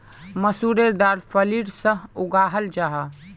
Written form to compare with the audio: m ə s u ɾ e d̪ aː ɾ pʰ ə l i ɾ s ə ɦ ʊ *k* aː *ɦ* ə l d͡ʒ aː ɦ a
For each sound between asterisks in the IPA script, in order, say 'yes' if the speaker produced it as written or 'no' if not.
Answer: no, yes

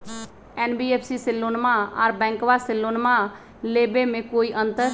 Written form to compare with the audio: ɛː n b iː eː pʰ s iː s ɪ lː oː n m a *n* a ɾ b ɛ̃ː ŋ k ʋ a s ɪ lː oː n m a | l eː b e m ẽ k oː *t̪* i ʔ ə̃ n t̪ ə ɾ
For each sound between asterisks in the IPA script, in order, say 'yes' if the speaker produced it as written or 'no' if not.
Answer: no, no

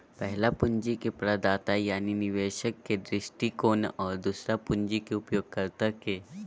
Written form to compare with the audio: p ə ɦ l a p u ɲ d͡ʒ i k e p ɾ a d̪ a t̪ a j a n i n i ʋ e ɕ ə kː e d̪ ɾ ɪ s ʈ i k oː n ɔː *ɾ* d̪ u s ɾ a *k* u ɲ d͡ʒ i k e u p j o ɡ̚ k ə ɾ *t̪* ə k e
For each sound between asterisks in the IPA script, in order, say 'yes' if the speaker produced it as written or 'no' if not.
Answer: yes, no, yes

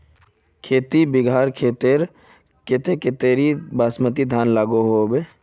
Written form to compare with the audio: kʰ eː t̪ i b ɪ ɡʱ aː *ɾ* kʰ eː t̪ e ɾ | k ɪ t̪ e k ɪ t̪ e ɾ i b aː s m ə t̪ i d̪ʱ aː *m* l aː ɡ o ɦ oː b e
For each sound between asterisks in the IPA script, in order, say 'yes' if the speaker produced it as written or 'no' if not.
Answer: yes, no

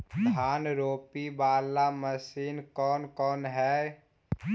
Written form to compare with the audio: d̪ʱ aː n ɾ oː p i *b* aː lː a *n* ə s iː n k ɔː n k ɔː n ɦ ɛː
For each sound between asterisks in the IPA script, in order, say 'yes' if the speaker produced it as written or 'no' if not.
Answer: yes, no

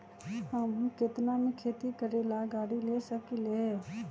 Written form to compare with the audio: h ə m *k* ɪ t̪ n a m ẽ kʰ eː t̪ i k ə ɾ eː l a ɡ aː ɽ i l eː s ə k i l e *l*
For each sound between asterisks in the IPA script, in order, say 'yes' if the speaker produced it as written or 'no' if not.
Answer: yes, no

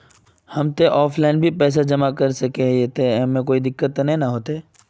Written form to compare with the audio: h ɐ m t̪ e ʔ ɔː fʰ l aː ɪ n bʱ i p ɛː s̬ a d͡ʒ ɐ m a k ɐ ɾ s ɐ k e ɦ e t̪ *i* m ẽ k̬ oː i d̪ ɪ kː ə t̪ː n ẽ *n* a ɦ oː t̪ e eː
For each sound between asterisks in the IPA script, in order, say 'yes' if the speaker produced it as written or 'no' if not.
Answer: no, yes

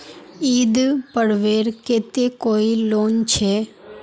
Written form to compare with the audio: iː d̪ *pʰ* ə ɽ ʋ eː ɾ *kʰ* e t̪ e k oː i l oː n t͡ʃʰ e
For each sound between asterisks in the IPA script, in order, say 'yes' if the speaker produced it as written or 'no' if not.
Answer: no, no

